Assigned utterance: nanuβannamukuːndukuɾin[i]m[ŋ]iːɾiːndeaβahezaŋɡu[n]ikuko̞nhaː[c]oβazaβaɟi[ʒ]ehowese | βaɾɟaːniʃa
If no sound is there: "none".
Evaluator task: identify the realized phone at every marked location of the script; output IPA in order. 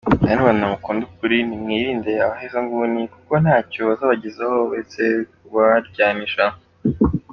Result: i, ŋ, n, c, z

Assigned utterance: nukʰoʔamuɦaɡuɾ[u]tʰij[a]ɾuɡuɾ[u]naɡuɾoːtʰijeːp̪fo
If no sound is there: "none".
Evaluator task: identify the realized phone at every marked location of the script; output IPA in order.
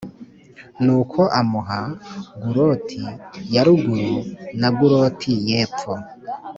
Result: o, a, u

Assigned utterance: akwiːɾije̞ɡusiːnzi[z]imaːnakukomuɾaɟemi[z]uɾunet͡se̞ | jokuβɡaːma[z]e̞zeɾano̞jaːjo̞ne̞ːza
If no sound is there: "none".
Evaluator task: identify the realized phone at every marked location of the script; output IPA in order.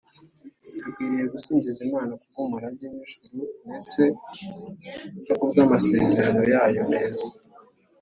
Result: z, ʒ, s

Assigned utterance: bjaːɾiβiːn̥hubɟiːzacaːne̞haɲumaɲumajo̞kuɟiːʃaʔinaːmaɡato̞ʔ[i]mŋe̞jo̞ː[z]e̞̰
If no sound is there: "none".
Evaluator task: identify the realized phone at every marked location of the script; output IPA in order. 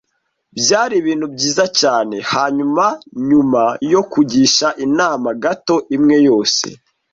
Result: i, s

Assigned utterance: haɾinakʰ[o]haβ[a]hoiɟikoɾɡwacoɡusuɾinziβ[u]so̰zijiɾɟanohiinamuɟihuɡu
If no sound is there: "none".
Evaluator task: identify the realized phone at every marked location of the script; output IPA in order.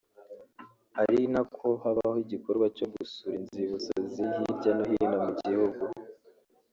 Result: o, a, u

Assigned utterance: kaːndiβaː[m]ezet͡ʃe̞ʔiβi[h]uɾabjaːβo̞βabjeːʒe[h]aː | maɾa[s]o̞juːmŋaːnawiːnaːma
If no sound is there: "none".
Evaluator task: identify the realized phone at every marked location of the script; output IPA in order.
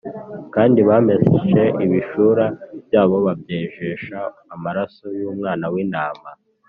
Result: m, ʃ, ʃ, s

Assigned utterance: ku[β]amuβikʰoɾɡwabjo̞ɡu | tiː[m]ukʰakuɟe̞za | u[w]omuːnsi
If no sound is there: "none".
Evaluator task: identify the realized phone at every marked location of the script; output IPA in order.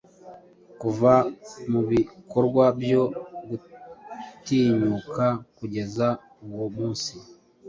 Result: v, ɲ, w

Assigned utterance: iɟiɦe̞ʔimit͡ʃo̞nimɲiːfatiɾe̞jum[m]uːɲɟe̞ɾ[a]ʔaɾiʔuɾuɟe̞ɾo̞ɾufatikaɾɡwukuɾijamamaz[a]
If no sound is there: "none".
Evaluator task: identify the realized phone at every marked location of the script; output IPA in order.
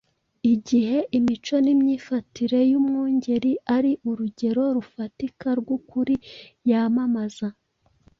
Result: ŋ, i, a

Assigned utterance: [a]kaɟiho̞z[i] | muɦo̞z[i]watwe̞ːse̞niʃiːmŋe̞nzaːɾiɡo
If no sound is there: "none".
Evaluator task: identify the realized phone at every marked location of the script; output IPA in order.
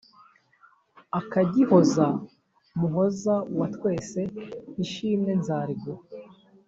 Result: a, a, a

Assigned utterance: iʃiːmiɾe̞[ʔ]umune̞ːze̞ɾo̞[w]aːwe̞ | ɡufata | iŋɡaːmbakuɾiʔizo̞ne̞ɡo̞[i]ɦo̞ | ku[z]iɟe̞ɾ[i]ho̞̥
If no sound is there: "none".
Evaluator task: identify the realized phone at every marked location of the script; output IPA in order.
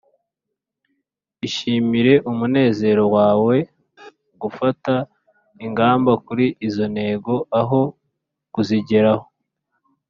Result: ʔ, w, a, z, a

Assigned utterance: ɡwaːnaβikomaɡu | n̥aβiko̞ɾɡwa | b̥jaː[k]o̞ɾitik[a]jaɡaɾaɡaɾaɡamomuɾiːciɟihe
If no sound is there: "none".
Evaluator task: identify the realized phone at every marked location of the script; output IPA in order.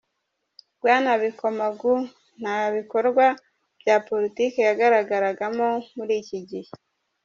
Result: p, e

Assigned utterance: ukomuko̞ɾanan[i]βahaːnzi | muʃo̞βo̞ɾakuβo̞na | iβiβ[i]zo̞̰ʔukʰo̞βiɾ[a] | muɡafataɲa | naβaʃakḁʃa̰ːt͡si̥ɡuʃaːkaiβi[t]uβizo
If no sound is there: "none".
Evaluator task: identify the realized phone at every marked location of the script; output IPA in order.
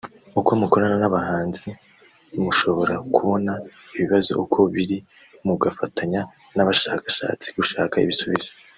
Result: a, a, i, s

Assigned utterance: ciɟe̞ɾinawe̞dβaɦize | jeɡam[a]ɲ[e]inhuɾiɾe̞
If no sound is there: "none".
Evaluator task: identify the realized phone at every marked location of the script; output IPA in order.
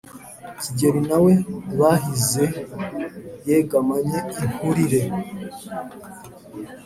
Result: a, e

